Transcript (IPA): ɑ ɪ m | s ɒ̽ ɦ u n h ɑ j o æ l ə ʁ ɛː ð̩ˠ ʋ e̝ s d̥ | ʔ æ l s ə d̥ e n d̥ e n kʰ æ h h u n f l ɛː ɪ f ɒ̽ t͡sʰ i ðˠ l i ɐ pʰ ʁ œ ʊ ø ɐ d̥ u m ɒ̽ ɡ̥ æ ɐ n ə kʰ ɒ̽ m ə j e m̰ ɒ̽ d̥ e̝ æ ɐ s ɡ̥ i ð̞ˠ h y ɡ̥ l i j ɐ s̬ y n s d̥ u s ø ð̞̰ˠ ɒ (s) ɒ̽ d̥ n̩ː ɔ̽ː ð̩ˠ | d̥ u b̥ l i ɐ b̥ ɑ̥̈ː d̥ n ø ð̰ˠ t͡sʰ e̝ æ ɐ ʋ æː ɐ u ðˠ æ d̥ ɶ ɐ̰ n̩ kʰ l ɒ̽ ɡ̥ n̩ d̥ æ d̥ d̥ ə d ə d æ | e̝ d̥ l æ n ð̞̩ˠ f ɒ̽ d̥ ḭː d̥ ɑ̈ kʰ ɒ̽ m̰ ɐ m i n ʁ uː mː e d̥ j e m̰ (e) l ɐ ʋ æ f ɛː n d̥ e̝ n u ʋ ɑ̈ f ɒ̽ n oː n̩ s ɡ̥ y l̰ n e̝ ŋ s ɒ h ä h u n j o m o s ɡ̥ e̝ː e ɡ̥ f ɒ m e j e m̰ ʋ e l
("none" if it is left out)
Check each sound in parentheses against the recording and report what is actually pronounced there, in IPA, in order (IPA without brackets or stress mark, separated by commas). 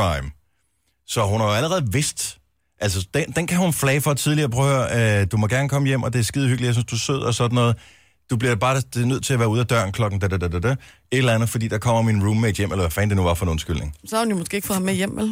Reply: s, e